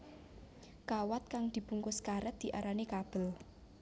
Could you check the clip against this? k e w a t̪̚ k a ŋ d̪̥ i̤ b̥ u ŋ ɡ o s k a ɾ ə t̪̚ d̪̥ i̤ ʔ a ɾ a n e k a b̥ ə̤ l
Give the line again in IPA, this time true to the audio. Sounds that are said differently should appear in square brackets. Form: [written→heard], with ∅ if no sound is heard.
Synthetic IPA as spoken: k [e→a] w a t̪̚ k a ŋ d̪̥ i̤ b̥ u ŋ [ɡ→k] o s k a ɾ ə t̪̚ d̪̥ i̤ ʔ a ɾ a n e k a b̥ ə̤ l